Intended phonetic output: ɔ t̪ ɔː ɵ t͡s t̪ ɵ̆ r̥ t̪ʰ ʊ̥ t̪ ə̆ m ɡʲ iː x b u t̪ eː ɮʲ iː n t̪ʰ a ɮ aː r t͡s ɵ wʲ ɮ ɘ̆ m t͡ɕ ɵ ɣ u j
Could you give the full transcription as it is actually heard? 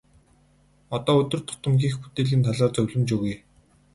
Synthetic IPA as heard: ɔ t̪ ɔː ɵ t̪ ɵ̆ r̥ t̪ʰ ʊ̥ t̪ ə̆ m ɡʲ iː x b u t̪ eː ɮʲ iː n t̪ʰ a ɮ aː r t͡s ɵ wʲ ɮ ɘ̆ m t͡ɕ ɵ ɣ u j